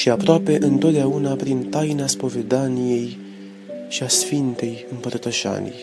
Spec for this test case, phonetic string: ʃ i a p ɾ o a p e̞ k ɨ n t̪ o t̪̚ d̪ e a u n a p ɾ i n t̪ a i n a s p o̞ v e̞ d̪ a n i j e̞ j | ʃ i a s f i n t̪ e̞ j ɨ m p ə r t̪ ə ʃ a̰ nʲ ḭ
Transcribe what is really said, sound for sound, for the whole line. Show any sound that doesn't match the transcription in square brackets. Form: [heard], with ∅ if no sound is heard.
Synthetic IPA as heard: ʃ i a p ɾ o a p e̞ [ʔ] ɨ n t̪ o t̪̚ d̪ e a u n a p ɾ i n t̪ a [j] n a s p o̞ v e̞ d̪ a n i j e̞ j | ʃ i a s f i n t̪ e̞ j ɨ m p ə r t̪ ə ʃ a̰ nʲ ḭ